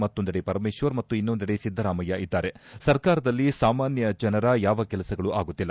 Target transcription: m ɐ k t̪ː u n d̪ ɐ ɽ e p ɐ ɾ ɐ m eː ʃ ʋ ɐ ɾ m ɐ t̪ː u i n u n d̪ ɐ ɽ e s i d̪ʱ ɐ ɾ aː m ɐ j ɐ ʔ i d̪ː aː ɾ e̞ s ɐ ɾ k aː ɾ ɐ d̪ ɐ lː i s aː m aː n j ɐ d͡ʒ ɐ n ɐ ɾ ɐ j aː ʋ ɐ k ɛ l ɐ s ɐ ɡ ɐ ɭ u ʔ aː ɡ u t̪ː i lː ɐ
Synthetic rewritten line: m ɐ t̪ː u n d̪ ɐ ɽ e p ɐ ɾ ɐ m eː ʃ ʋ ɐ ɾ m ɐ t̪ː u i nː u n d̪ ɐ ɽ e s i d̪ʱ ɐ ɾ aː m ɐ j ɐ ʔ i d̪ː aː ɾ e̞ s ɐ ɾ k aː ɾ ɐ d̪ ɐ lː i s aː m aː n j ɐ d͡ʒ ɐ n ɐ ɾ ɐ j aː ʋ ɐ k ɛ l ɐ s ɐ ɡ ɐ ɭ u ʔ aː ɡ u t̪ː i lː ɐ